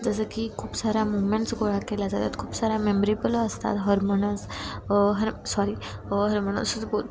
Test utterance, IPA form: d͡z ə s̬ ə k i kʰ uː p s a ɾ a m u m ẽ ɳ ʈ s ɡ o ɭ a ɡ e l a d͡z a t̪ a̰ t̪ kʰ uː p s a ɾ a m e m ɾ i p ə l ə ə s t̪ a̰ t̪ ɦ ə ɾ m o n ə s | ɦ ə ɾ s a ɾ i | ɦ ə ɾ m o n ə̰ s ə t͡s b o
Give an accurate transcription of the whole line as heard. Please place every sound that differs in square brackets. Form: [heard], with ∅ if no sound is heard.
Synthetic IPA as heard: d͡z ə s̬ ə k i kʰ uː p s a ɾ a m u m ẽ ɳ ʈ s ɡ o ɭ a [k] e l a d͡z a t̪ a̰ t̪ kʰ uː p s a ɾ a m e m ɾ i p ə l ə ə s t̪ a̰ t̪ ɦ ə ɾ m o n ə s | ɦ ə ɾ s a ɾ i | ɦ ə ɾ m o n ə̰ s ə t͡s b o